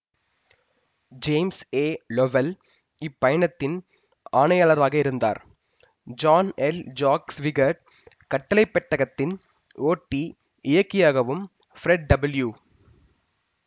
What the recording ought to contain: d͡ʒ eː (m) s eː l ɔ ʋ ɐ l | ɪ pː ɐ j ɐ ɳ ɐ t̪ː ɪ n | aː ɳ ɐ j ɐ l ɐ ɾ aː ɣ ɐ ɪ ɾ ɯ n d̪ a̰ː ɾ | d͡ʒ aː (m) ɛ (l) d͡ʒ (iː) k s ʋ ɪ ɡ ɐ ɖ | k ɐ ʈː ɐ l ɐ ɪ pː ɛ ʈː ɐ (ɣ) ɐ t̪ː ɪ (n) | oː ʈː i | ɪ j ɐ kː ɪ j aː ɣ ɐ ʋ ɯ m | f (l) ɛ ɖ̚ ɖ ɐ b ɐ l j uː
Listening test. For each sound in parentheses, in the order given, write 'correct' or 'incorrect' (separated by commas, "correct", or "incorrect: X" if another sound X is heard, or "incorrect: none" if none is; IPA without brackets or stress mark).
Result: correct, incorrect: n, correct, incorrect: aː, correct, correct, incorrect: ɾ